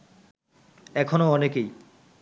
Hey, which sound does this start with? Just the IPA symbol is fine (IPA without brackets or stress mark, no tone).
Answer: ɛ